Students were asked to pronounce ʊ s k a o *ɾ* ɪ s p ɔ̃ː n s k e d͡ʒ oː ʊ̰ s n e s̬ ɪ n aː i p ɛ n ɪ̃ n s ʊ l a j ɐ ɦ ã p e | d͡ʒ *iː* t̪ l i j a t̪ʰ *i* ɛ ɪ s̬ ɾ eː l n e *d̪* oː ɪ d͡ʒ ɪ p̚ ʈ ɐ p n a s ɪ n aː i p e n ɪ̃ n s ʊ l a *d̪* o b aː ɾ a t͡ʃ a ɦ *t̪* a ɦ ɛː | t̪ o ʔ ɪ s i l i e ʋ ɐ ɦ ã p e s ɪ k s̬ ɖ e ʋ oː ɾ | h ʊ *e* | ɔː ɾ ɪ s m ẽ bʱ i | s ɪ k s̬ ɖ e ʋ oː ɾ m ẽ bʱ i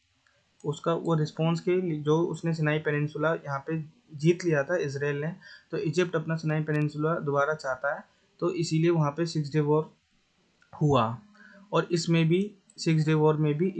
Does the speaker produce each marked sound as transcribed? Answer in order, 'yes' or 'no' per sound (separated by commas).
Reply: yes, yes, no, no, yes, yes, no